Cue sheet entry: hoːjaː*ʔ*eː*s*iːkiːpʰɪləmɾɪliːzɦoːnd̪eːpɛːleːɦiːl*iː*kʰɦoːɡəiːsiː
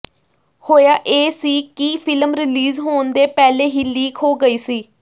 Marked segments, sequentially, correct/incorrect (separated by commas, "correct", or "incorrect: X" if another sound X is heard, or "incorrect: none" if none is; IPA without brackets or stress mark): correct, correct, correct